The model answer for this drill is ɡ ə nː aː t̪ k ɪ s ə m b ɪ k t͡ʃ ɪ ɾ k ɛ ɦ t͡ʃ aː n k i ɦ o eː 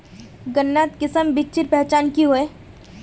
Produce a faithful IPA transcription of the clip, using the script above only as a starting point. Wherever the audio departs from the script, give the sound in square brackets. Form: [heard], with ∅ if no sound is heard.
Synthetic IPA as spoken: ɡ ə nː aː t̪ k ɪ s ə m b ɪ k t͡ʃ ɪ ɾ [p] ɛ ɦ t͡ʃ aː n k i ɦ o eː